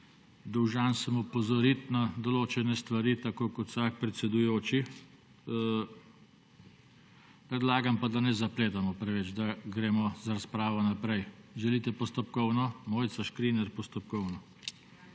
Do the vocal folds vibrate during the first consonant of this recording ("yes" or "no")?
yes